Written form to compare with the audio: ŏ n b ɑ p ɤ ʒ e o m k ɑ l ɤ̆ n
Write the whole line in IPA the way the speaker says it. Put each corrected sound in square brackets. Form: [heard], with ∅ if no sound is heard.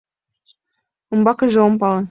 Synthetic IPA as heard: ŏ [m] b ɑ [k] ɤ ʒ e o m [p] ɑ l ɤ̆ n